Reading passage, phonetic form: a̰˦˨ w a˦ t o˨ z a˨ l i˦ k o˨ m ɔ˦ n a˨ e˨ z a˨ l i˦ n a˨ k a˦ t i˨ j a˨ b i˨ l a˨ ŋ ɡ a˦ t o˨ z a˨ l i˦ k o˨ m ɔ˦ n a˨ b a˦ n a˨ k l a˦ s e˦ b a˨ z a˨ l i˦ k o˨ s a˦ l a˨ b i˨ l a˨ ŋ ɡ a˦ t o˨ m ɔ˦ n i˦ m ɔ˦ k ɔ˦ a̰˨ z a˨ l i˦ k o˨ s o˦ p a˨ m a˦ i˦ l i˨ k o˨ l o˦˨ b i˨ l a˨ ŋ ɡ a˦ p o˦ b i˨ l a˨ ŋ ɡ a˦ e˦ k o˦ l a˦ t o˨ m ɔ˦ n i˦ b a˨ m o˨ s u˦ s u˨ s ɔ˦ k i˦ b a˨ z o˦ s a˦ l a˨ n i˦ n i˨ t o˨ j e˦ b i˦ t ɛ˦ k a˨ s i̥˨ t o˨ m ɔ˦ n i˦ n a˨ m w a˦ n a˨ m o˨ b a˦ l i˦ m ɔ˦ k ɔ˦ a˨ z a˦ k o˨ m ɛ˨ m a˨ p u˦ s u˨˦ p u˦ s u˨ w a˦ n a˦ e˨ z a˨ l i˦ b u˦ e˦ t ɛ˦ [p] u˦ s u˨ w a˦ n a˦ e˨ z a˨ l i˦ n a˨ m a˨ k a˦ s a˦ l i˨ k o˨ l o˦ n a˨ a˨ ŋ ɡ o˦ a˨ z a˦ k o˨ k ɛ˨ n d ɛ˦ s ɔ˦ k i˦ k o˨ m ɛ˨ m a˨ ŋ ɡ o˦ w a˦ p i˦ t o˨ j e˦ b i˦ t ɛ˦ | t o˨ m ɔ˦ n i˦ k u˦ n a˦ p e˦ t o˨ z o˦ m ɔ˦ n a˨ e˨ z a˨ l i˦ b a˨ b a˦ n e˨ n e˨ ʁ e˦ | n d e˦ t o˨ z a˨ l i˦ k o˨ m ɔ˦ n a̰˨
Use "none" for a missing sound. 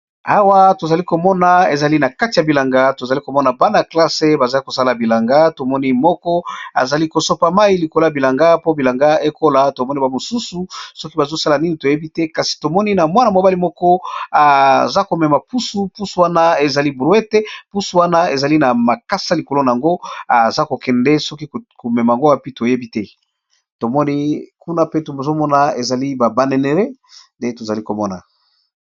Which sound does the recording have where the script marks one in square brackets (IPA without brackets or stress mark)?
p